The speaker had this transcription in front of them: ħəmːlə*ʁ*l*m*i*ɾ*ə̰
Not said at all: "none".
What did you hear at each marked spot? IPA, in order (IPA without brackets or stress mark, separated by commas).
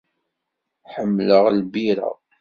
ʁ, b, ɾ